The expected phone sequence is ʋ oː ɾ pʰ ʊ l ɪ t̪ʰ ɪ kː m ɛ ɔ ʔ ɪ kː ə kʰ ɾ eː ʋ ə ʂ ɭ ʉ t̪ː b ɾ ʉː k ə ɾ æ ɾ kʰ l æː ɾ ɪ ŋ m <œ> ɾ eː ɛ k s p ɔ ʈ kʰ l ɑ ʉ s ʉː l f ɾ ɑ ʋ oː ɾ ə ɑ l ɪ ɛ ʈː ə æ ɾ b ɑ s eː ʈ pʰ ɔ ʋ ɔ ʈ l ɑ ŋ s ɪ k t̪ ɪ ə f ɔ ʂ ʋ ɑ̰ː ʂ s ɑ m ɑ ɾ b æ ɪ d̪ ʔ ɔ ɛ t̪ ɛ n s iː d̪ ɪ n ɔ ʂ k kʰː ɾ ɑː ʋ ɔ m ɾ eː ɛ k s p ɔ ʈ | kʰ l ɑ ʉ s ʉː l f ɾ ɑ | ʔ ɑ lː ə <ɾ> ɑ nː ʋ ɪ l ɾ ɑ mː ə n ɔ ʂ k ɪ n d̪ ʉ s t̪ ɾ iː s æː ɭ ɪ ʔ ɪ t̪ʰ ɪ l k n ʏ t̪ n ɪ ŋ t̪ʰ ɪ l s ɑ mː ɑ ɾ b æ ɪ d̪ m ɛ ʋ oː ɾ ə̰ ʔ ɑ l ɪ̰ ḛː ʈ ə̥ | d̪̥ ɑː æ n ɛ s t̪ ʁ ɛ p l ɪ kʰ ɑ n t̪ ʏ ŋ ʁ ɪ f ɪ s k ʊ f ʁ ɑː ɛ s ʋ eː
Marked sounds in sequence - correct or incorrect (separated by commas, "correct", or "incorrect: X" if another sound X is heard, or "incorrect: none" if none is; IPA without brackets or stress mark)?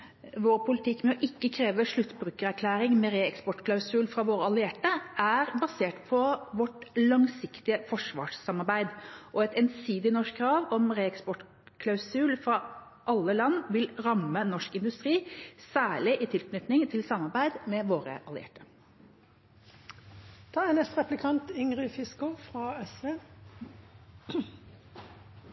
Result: incorrect: ɛ, incorrect: l